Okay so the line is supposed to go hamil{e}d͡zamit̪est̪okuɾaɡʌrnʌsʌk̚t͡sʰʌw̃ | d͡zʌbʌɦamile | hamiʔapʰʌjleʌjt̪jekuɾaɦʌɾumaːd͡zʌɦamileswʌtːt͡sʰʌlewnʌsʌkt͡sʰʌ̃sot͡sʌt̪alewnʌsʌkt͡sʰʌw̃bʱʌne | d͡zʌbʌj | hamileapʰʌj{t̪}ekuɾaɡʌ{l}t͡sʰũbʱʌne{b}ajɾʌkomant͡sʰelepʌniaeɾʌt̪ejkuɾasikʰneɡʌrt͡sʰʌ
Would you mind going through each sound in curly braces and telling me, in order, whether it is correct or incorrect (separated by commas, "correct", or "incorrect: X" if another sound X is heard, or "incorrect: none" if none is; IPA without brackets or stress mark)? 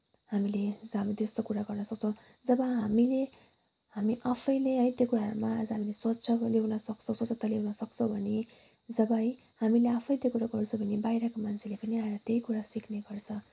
correct, correct, incorrect: r, correct